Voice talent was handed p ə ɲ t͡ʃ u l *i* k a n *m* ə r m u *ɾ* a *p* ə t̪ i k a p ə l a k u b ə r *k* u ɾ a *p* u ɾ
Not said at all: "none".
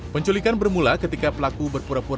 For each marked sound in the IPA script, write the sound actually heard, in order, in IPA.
i, b, l, k, p, p

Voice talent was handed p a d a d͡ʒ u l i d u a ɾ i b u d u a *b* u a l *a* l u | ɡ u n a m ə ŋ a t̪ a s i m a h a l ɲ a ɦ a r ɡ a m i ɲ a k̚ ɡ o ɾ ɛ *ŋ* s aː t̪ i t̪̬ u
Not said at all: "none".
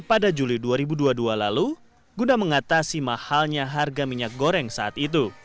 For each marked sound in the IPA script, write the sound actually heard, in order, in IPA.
d, a, ŋ

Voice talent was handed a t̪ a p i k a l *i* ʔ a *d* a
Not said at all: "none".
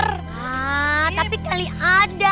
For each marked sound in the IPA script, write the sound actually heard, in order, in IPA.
i, d

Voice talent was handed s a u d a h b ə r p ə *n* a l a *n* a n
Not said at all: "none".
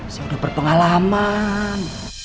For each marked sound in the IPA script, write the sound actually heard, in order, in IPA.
ŋ, m

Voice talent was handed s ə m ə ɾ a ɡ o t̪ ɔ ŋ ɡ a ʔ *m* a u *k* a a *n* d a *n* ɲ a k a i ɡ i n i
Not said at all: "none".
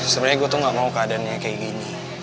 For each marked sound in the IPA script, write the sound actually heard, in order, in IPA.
m, k, none, n

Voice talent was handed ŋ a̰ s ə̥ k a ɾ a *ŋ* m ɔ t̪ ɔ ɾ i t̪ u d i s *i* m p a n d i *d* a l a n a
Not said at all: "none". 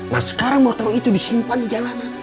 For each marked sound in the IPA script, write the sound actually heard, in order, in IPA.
ŋ, i, d͡ʒ

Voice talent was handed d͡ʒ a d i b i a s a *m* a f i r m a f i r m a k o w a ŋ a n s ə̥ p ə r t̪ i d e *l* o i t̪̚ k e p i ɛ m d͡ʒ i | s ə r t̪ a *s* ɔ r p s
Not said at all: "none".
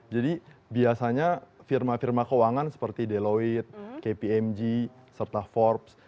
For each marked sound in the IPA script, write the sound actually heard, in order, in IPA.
ɲ, l, f

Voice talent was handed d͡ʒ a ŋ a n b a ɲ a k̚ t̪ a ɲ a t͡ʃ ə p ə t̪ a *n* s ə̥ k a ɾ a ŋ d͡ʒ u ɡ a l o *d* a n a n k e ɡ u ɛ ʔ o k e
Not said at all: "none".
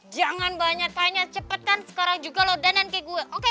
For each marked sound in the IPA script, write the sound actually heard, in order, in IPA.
n, d

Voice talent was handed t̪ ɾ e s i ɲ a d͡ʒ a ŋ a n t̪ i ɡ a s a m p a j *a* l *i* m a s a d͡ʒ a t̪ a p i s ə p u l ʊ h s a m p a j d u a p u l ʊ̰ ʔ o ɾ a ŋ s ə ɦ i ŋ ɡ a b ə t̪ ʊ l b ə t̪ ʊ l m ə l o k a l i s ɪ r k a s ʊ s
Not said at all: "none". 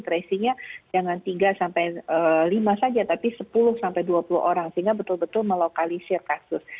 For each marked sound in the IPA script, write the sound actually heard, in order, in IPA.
ə, i

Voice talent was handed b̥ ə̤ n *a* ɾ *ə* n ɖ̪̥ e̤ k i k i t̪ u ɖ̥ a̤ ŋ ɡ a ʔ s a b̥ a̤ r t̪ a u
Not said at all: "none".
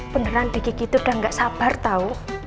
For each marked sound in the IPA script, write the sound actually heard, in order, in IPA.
ə, a

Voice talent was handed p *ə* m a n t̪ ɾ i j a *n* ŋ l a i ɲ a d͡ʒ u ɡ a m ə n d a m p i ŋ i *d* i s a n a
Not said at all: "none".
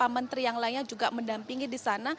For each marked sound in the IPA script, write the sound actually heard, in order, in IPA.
a, none, d

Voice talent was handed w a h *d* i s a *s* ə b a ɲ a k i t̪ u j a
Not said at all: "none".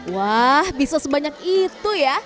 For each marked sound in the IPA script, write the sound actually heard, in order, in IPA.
b, s

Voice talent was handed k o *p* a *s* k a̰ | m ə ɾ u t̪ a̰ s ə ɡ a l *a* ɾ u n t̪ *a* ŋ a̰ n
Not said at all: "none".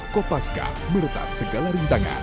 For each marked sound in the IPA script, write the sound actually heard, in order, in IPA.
p, s, a, a

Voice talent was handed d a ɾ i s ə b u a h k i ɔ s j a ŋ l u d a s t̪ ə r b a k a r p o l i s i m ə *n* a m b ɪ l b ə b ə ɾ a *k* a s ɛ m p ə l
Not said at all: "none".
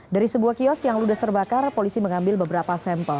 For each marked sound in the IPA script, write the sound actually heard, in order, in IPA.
ŋ, p

